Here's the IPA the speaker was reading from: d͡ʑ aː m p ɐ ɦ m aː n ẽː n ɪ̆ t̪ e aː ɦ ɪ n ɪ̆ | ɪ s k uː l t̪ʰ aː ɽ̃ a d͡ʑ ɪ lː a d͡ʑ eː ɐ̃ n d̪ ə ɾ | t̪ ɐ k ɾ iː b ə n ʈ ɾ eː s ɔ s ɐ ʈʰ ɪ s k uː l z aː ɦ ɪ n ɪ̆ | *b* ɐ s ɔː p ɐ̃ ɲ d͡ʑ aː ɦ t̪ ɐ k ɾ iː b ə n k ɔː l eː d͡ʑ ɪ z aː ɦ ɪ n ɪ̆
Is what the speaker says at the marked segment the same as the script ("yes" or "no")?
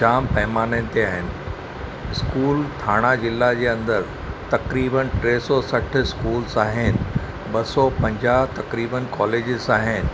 yes